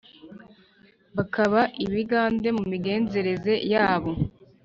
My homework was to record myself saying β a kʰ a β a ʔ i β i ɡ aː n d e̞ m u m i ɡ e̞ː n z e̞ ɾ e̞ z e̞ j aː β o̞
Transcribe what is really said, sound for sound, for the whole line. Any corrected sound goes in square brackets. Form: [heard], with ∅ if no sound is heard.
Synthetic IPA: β a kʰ a β a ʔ i β i ɡ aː n d e̞ m u m i ɡ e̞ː n z e̞ ɾ e̞ z e̞ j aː β o̞